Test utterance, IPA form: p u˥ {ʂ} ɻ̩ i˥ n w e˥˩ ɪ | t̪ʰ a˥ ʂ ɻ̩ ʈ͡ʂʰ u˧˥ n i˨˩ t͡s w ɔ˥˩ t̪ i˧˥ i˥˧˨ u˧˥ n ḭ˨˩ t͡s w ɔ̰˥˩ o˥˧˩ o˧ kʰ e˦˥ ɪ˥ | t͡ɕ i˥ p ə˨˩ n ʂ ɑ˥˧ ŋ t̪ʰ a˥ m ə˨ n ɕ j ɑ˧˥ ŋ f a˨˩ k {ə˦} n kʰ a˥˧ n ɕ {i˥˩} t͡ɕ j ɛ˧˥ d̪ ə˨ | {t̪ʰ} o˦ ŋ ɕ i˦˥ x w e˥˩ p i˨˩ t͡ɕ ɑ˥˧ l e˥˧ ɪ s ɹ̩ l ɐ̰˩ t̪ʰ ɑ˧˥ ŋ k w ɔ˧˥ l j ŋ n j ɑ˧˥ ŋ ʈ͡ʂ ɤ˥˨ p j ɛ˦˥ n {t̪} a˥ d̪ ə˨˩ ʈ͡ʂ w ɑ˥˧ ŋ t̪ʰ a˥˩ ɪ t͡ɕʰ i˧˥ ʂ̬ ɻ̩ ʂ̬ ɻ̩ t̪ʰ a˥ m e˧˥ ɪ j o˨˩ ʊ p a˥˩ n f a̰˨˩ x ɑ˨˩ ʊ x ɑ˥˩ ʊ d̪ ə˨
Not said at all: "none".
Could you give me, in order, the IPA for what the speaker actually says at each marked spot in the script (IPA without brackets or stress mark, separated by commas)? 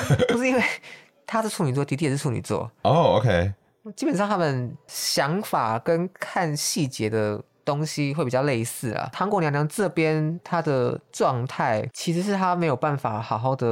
ʂ, ə˦, i˥˩, t̪, t̪ʰ